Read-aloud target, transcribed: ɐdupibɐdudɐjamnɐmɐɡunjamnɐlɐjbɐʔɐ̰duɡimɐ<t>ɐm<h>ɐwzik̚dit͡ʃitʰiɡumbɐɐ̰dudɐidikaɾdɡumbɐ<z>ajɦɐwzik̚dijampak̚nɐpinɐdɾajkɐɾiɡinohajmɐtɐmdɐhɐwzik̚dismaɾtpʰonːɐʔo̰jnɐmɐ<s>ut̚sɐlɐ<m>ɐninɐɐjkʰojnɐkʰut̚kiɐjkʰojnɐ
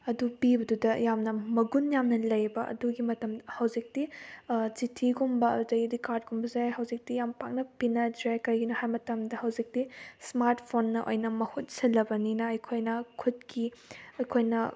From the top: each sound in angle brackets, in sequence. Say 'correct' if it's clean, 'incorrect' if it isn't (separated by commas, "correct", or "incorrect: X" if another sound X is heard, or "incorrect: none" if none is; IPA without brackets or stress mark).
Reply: correct, correct, correct, incorrect: h, incorrect: b